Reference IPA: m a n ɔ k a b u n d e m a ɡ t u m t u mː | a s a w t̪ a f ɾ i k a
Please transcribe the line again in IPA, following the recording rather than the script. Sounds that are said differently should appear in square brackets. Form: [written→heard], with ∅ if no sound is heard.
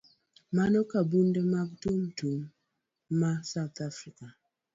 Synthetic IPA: m a n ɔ k a b u n d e m a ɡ t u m t u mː | a s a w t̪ a f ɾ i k a